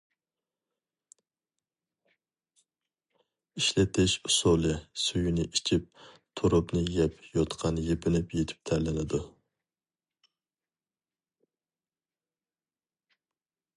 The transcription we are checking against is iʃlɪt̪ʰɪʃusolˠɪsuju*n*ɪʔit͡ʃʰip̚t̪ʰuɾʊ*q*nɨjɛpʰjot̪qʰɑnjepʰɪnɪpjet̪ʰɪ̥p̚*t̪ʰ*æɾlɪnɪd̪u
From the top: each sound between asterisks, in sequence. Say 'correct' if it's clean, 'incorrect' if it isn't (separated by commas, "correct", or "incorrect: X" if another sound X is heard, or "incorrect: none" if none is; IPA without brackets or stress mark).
correct, incorrect: p, correct